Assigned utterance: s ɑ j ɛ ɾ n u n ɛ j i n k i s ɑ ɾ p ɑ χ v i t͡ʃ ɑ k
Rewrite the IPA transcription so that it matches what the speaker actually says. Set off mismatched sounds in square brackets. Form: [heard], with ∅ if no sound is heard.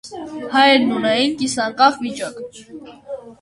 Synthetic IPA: [h] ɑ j ɛ ɾ n u n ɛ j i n k i s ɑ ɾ [k] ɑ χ v i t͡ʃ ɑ k